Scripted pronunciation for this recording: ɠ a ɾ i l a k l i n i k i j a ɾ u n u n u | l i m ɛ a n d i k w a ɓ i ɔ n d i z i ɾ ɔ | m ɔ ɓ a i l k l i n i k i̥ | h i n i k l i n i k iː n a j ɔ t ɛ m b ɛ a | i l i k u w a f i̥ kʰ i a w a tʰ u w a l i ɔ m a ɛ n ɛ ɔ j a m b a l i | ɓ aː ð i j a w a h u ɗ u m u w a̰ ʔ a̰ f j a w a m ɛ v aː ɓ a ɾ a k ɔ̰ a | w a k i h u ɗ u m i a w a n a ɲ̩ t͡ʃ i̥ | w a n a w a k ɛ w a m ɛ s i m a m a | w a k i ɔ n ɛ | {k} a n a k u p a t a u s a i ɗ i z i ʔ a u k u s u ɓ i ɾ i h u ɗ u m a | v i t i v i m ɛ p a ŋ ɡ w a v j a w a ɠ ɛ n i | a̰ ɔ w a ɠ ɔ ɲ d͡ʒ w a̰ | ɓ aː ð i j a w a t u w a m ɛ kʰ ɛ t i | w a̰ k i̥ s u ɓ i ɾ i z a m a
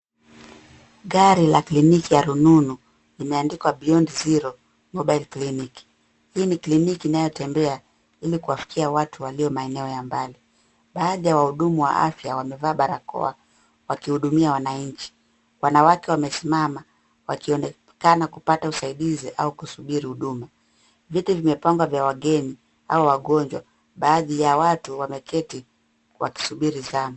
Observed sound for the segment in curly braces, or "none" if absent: k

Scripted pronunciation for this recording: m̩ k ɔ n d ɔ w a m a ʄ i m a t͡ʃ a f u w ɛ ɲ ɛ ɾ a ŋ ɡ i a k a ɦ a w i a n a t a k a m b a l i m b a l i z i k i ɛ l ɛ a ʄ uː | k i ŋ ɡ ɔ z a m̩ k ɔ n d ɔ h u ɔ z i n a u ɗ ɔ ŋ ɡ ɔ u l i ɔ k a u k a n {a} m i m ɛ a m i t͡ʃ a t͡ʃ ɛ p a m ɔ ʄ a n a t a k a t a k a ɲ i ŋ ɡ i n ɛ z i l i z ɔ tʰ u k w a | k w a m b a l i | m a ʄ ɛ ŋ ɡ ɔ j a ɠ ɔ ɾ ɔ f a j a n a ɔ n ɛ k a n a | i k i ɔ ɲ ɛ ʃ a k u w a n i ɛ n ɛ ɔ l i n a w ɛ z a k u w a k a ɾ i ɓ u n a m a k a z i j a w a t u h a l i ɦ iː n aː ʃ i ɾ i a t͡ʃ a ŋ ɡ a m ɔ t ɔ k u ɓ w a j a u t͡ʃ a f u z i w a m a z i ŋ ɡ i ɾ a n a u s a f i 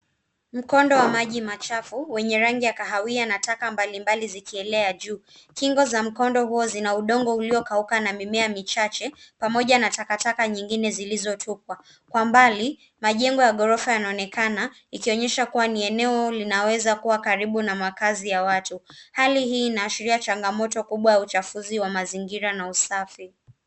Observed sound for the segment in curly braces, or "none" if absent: a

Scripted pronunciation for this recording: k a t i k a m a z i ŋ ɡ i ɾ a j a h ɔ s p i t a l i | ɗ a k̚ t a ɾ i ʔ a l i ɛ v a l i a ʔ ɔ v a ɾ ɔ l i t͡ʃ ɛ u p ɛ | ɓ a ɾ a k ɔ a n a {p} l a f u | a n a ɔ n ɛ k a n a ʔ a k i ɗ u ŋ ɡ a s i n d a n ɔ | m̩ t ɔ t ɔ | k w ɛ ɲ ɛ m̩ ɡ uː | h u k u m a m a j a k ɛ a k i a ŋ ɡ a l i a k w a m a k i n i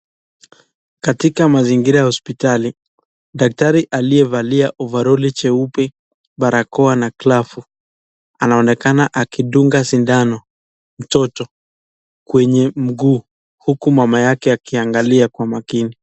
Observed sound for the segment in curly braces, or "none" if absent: k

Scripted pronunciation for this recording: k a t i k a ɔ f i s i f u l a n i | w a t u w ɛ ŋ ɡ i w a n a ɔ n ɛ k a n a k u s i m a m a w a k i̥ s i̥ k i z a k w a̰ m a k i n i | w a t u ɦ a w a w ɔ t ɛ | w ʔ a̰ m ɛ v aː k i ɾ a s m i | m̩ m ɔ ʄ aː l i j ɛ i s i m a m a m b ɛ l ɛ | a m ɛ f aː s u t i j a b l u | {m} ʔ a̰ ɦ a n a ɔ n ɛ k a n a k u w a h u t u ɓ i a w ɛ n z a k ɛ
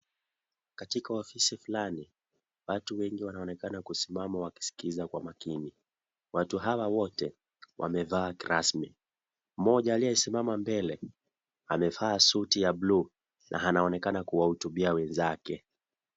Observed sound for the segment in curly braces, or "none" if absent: n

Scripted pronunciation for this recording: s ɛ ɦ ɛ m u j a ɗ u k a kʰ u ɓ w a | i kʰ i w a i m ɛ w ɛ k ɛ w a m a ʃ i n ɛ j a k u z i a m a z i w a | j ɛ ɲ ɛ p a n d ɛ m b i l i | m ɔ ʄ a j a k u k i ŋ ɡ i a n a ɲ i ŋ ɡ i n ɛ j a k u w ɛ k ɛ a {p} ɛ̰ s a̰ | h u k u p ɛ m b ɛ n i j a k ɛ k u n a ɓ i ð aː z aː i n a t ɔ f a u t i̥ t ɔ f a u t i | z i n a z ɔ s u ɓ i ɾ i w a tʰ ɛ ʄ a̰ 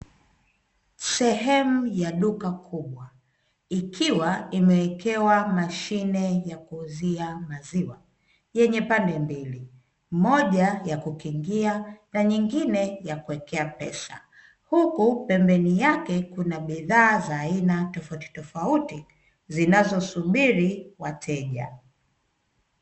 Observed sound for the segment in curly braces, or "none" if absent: p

